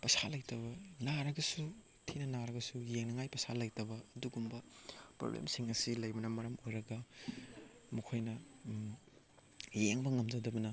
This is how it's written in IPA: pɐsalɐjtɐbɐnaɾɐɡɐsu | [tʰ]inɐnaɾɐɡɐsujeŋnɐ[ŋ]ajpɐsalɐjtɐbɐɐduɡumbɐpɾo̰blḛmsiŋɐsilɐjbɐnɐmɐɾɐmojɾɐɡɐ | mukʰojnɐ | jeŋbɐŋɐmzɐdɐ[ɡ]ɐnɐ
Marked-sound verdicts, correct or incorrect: correct, correct, incorrect

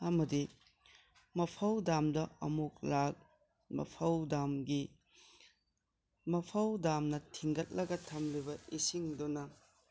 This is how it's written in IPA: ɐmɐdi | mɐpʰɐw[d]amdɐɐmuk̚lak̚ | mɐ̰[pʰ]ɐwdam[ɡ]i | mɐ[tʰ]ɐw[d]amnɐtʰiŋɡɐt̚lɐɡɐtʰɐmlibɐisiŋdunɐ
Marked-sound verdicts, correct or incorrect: correct, correct, correct, incorrect, correct

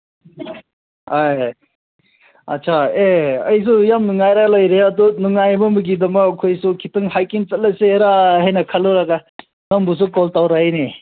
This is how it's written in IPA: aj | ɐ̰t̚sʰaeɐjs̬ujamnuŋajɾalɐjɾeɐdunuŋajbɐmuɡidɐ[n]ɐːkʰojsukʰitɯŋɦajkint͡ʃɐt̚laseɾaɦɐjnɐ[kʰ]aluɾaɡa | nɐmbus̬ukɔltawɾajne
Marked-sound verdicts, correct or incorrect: incorrect, correct

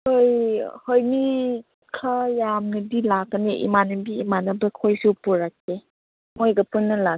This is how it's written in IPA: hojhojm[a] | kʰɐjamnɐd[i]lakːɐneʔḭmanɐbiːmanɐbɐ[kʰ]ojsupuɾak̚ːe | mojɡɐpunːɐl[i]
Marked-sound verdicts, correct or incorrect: incorrect, correct, correct, incorrect

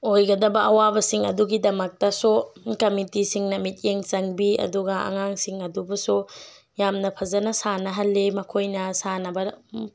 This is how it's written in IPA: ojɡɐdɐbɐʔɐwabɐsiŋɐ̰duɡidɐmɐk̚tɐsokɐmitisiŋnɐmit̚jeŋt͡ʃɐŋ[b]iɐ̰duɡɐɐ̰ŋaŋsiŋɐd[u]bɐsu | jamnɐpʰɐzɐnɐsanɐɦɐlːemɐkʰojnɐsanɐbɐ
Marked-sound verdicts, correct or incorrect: correct, correct

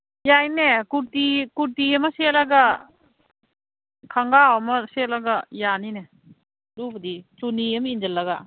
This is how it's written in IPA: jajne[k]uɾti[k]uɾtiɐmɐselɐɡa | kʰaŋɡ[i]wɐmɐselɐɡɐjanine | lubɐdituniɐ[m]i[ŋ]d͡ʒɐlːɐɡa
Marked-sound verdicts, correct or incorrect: correct, correct, incorrect, correct, incorrect

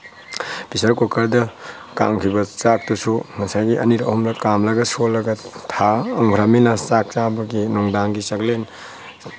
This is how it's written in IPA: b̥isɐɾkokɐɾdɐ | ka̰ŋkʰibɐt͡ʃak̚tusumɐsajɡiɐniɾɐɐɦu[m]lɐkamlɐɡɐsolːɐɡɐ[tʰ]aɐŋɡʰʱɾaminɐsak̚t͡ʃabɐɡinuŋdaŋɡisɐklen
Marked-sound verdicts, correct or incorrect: correct, correct

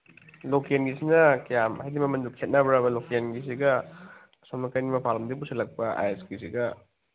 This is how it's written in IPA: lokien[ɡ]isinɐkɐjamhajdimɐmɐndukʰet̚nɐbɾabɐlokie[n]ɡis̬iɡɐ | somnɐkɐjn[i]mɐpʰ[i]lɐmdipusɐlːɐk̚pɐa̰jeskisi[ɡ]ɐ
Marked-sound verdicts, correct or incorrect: correct, correct, correct, incorrect, correct

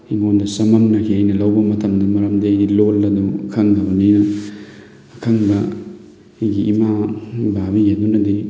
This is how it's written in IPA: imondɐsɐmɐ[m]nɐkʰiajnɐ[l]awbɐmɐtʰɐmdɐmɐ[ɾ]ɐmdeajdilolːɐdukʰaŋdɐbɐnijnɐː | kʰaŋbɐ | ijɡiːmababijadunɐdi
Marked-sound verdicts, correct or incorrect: correct, correct, correct

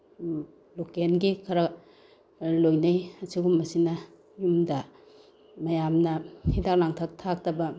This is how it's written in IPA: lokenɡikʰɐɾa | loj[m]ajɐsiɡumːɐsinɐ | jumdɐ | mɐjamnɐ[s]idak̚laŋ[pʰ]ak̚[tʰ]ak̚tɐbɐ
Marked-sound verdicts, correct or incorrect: incorrect, incorrect, incorrect, correct

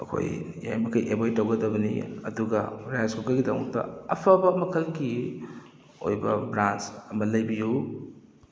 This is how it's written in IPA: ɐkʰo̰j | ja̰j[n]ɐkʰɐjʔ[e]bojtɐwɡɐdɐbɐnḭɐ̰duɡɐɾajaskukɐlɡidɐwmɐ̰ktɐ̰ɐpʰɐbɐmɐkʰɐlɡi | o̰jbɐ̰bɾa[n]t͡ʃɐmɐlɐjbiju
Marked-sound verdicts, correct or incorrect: incorrect, correct, correct

